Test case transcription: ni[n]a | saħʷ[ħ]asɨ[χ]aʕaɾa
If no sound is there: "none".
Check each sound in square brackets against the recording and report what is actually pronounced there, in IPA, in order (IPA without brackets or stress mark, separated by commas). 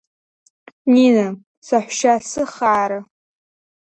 n, ʃ, χ